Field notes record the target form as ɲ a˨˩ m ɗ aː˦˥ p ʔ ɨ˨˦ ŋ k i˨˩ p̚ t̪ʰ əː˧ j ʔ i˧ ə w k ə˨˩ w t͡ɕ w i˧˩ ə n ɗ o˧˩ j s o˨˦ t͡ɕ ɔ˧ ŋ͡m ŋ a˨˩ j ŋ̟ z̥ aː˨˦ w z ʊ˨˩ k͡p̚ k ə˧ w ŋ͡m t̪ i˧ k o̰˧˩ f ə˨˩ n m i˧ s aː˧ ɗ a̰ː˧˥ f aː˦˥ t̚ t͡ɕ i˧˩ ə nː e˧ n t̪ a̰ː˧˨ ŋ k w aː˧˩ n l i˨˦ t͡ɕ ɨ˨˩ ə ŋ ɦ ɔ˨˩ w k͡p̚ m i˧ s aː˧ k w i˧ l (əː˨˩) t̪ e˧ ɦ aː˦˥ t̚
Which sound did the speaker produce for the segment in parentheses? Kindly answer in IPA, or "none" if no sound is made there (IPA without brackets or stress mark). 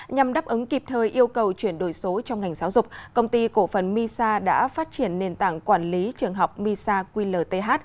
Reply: əː˨˩